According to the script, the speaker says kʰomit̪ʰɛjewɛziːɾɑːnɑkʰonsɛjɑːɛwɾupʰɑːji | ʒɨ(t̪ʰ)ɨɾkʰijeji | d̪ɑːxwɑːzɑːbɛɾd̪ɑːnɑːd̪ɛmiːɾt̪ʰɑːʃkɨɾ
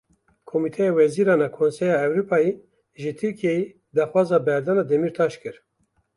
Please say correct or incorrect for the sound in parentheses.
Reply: correct